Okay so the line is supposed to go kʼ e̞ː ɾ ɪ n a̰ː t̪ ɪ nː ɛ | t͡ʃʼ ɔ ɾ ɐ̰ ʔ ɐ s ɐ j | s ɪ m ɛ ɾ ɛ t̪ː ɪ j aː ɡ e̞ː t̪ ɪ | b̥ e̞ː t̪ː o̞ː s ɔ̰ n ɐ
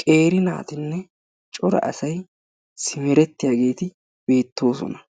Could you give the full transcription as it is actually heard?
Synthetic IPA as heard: kʼ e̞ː ɾ ɪ n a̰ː t̪ ɪ nː ɛ | t͡ʃʼ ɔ ɾ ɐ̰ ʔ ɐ s ɐ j | s ɪ m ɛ ɾ ɛ t̪ː ɪ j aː ɡ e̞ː t̪ ɪ | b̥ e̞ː t̪ː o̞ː s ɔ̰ n ɐ